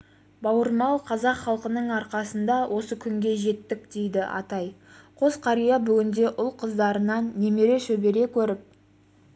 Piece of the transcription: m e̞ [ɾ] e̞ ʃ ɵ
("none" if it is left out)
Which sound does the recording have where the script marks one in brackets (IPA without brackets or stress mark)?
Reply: ɾ